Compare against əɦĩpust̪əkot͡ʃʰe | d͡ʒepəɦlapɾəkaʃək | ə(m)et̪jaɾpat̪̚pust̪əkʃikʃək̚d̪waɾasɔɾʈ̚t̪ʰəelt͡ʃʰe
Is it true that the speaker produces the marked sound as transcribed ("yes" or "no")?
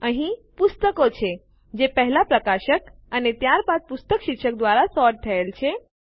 no